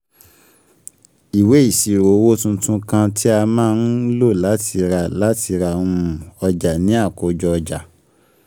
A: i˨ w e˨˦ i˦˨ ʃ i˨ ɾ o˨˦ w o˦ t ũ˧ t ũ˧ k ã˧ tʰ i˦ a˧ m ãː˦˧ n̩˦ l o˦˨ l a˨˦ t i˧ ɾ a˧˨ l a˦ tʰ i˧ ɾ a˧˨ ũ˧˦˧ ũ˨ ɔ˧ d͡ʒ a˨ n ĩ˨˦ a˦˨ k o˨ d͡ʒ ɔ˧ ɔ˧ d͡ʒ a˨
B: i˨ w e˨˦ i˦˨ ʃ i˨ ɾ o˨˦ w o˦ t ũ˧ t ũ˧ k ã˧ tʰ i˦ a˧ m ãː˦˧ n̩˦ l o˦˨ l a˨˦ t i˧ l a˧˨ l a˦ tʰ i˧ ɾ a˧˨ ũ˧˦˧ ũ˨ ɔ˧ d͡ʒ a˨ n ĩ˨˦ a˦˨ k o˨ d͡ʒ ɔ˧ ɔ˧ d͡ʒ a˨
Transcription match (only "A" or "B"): A